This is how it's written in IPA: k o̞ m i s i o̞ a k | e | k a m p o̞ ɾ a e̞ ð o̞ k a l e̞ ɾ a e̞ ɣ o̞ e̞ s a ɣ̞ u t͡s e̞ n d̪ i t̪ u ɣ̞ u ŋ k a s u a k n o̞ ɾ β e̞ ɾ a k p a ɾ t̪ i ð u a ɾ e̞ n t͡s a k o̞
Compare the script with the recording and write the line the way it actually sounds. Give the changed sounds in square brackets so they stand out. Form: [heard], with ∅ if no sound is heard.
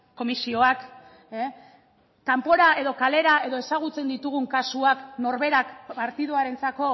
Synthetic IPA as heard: k o̞ m i s i o̞ a k | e | k a m p o̞ ɾ a e̞ ð o̞ k a l e̞ ɾ a e̞ [ð] o̞ e̞ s a ɣ̞ u t͡s e̞ n d̪ i t̪ u ɣ̞ u ŋ k a s u a k n o̞ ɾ β e̞ ɾ a k p a ɾ t̪ i ð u a ɾ e̞ n t͡s a k o̞